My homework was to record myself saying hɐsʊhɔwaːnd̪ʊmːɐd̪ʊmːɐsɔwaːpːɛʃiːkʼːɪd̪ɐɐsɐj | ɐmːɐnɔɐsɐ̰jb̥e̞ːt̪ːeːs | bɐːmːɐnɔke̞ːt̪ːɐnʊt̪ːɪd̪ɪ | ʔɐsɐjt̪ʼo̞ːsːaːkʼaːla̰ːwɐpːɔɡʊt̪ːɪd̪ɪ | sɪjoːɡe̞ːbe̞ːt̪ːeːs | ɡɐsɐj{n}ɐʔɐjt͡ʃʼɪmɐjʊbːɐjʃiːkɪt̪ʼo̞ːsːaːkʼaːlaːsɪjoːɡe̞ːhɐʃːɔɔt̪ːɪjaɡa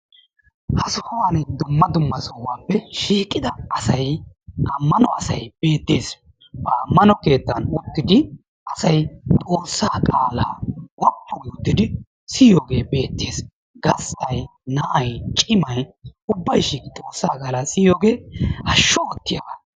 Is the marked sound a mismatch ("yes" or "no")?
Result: no